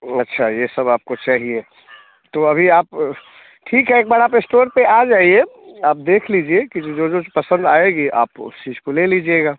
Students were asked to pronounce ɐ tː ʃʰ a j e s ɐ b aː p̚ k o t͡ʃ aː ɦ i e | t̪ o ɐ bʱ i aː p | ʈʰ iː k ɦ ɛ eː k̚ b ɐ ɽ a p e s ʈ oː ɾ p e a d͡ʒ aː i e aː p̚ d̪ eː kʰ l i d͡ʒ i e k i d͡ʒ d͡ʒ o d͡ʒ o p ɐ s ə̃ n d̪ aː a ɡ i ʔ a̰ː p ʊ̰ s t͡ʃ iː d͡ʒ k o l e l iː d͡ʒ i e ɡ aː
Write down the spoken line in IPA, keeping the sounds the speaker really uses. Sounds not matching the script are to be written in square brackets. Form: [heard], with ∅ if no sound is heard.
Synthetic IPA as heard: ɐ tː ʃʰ a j e s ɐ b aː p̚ k o t͡ʃ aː ɦ i e | t̪ o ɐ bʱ i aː p | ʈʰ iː k ɦ ɛ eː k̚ b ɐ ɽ a p e s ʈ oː ɾ p e a d͡ʒ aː i e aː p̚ d̪ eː kʰ l i d͡ʒ i e k i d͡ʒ d͡ʒ o d͡ʒ o p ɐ s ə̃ n d̪ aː [e] ɡ i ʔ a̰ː p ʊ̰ s t͡ʃ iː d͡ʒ k o l e l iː d͡ʒ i e ɡ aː

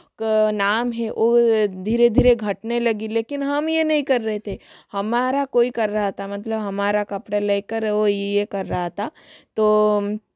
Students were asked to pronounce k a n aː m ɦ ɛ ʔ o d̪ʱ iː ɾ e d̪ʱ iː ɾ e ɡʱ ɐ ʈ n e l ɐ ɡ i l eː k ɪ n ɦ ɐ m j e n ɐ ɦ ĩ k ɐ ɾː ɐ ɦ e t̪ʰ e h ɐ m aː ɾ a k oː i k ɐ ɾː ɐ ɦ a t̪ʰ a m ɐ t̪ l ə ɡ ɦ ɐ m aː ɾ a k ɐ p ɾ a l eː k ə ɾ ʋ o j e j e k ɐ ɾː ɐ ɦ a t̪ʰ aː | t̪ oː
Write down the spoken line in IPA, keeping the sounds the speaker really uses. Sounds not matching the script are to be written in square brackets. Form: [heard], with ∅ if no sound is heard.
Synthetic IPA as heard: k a n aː m ɦ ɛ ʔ o d̪ʱ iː ɾ e d̪ʱ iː ɾ e ɡʱ ɐ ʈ n e l ɐ ɡ i l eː k ɪ n ɦ ɐ m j e n ɐ ɦ ĩ k ɐ ɾː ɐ ɦ e t̪ʰ e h ɐ m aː ɾ a k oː i k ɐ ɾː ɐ ɦ a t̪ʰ a m ɐ t̪ l ə [b] ɦ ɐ m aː ɾ a k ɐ p [ɽ] a l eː k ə ɾ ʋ o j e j e k ɐ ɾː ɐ ɦ a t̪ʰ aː | t̪ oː

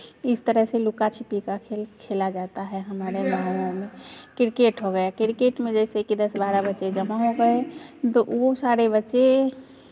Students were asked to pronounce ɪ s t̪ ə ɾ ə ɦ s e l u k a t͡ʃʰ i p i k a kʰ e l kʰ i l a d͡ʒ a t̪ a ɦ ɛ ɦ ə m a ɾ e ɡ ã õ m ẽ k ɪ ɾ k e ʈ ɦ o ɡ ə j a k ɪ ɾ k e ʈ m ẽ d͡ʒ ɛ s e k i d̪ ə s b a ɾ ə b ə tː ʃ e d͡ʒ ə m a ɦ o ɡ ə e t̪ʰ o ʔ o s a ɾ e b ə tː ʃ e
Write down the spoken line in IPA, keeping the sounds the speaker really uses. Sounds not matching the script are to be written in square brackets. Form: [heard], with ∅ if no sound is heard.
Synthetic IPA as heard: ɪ s t̪ ə ɾ ə ɦ s e l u k a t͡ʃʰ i p i k a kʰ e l kʰ [e] l a d͡ʒ a t̪ a ɦ ɛ ɦ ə m a ɾ e ɡ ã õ m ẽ k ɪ ɾ k e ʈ ɦ o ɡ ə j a k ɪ ɾ k e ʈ m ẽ d͡ʒ ɛ s e k i d̪ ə s b a ɾ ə b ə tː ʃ e d͡ʒ ə m a ɦ o ɡ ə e [t̪] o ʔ o s a ɾ e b ə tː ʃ e

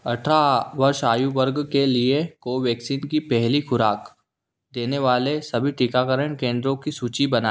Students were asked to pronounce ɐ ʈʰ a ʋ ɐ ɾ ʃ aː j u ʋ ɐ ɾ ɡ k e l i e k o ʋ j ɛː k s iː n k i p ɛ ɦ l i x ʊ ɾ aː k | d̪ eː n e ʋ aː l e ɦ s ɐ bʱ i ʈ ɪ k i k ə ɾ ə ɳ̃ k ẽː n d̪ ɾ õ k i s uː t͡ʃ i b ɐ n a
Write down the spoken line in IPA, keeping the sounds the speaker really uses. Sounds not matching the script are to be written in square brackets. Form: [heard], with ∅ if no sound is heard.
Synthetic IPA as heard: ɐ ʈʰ a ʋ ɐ ɾ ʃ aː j u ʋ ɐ ɾ ɡ k e l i e k o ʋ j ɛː k s iː n k i p ɛ ɦ l i x ʊ ɾ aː k | d̪ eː n e ʋ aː l e [∅] s ɐ bʱ i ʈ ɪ k [a] k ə ɾ ə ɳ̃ k ẽː n d̪ ɾ õ k i s uː t͡ʃ i b ɐ n a

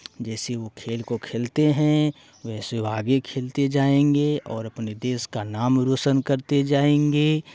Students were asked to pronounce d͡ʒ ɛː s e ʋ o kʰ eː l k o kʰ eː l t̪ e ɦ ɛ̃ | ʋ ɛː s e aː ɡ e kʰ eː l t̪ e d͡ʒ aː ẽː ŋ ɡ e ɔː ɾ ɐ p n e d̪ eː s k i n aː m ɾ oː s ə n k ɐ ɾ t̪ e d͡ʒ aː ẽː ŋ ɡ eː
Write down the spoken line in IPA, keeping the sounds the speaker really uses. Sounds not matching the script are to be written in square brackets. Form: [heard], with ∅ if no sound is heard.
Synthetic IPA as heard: d͡ʒ ɛː s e ʋ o kʰ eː l k o kʰ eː l t̪ e ɦ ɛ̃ | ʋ ɛː s e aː ɡ e kʰ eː l t̪ e d͡ʒ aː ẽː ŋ ɡ e ɔː ɾ ɐ p n e d̪ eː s k [a] n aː m ɾ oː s ə n k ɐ ɾ t̪ e d͡ʒ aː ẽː ŋ ɡ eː

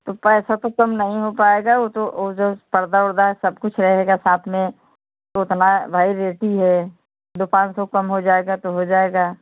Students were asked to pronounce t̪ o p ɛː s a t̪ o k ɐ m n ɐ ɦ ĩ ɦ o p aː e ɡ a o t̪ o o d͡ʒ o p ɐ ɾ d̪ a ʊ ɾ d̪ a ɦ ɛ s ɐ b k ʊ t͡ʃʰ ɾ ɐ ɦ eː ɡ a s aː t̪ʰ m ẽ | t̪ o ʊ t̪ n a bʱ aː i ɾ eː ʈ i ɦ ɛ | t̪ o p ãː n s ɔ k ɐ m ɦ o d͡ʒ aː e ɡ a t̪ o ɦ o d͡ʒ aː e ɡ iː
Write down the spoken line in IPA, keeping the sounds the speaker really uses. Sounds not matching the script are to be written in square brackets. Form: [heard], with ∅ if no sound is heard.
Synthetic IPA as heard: t̪ o p ɛː s a t̪ o k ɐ m n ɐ ɦ ĩ ɦ o p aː e ɡ a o t̪ o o d͡ʒ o p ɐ ɾ d̪ a ʊ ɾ d̪ a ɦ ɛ s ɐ b k ʊ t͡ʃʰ ɾ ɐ ɦ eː ɡ a s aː t̪ʰ m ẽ | t̪ o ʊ t̪ n a bʱ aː i ɾ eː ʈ i ɦ ɛ | [d̪] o p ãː n s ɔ k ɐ m ɦ o d͡ʒ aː e ɡ a t̪ o ɦ o d͡ʒ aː e ɡ [aː]

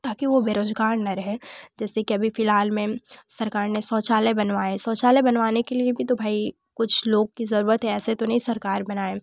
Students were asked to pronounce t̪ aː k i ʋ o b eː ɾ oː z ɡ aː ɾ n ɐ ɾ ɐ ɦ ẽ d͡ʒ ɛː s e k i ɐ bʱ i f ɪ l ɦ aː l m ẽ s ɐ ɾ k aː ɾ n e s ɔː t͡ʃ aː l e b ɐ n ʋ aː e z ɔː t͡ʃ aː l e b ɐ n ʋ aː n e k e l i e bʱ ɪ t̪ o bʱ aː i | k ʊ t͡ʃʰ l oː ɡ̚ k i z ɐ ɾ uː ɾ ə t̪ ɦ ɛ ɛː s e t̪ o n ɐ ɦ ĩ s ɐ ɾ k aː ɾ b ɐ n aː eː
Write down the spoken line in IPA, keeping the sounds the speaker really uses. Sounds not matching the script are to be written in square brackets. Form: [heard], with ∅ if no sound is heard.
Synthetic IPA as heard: t̪ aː k i ʋ o b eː ɾ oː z ɡ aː ɾ n ɐ ɾ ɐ ɦ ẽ d͡ʒ ɛː s e k i ɐ bʱ i f ɪ l ɦ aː l m ẽ s ɐ ɾ k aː ɾ n e s ɔː t͡ʃ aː l e b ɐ n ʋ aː e [s] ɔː t͡ʃ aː l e b ɐ n ʋ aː n e k e l i e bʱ [i] t̪ o bʱ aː i | k ʊ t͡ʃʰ l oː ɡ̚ k i z ɐ ɾ uː ɾ ə t̪ ɦ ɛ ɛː s e t̪ o n ɐ ɦ ĩ s ɐ ɾ k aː ɾ b ɐ n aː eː

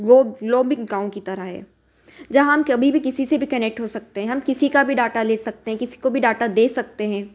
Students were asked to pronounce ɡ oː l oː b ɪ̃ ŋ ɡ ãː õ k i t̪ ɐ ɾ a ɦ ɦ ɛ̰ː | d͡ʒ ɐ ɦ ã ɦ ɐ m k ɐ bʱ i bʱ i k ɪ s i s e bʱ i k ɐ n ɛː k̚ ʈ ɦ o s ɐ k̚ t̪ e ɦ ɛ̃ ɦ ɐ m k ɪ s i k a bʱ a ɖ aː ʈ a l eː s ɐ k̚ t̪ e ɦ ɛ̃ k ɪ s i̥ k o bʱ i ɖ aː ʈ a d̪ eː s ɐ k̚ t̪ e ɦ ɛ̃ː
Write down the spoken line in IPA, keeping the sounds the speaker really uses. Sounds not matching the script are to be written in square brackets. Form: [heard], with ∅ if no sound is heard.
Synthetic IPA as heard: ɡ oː l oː b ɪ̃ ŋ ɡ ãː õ k i t̪ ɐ ɾ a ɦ ɦ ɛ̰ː | d͡ʒ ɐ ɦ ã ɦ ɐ m k ɐ bʱ i bʱ i k ɪ s i s e bʱ i k ɐ n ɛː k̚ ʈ ɦ o s ɐ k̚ t̪ e ɦ ɛ̃ ɦ ɐ m k ɪ s i k a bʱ [i] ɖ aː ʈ a l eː s ɐ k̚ t̪ e ɦ ɛ̃ k ɪ s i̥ k o bʱ i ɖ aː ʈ a d̪ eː s ɐ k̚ t̪ e ɦ ɛ̃ː

